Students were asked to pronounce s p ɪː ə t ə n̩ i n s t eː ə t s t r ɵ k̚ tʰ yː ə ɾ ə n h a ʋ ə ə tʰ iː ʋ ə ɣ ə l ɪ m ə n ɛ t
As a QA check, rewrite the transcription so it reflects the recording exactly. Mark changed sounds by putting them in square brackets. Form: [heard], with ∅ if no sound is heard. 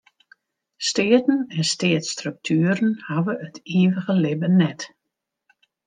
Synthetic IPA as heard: s [t] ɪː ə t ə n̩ [ɛ] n s t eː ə t s t r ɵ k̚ tʰ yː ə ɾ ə n h a ʋ ə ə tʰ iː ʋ ə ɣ ə l ɪ [b] ə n ɛ t